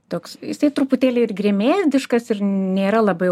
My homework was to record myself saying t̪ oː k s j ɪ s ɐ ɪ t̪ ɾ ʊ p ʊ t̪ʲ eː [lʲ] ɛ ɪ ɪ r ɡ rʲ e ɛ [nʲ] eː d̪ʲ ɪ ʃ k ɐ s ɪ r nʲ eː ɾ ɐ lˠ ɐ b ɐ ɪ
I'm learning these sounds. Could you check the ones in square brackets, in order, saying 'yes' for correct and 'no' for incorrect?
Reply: yes, no

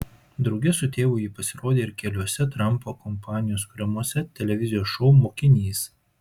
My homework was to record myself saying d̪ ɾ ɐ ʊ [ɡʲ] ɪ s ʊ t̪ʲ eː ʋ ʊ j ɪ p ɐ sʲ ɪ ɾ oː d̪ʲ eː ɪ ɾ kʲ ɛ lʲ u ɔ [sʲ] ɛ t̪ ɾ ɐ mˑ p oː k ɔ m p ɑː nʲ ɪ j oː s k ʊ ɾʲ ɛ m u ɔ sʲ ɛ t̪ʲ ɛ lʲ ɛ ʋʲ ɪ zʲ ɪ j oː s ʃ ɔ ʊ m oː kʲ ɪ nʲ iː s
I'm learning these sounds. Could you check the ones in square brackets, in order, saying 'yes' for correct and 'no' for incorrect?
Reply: yes, yes

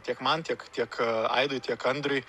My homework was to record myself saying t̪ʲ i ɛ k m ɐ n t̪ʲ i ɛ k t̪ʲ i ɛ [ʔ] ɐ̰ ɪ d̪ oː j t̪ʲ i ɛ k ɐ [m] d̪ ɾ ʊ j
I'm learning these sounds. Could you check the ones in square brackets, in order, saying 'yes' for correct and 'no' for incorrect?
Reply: no, no

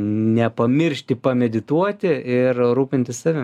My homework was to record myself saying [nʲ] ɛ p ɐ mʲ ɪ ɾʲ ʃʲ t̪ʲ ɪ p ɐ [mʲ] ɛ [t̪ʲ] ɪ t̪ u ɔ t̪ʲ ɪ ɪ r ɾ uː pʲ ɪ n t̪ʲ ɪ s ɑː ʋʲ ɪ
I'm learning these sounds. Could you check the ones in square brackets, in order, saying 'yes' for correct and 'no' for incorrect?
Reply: yes, yes, no

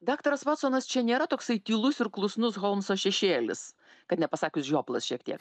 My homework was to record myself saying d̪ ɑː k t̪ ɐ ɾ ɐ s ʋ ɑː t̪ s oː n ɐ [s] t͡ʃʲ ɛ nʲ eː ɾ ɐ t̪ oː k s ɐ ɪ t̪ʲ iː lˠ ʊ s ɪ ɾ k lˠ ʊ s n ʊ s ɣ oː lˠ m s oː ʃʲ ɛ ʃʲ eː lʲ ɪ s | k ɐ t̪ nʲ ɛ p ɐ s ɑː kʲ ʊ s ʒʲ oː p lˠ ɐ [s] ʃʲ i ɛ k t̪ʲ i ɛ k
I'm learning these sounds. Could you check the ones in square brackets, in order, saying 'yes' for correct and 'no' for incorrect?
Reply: yes, yes

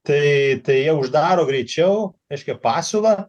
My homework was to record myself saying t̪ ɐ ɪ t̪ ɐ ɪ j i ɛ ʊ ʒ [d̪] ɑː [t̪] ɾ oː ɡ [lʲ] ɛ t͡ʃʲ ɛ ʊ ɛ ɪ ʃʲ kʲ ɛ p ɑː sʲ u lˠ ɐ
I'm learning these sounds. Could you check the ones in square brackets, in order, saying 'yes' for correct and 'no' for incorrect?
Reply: yes, no, no

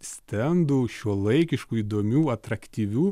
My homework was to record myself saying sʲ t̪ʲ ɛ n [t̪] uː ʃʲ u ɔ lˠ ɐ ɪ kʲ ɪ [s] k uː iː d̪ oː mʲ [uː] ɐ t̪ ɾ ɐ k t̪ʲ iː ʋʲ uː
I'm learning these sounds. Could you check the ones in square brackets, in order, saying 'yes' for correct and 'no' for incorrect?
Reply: no, no, yes

